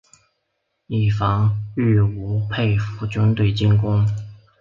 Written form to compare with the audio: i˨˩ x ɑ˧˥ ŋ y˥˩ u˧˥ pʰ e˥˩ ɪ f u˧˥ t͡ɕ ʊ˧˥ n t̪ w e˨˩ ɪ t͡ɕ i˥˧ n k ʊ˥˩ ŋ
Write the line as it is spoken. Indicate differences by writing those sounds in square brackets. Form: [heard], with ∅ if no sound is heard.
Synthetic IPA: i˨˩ [f] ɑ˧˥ ŋ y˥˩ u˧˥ pʰ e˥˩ ɪ f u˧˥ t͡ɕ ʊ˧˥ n t̪ w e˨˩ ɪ t͡ɕ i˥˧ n k [ʊ˥] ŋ

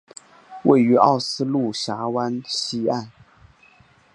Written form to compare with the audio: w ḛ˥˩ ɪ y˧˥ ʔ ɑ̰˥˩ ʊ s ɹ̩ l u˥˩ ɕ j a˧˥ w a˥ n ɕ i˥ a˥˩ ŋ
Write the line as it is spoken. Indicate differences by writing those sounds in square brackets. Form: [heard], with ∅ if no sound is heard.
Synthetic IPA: w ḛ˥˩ ɪ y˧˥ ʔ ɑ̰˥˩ ʊ s ɹ̩ l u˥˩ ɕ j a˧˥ w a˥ n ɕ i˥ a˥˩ [n]

